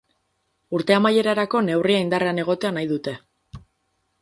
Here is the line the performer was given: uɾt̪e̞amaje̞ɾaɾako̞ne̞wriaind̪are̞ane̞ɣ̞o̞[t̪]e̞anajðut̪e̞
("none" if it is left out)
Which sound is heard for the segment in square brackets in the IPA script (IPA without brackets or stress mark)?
t̪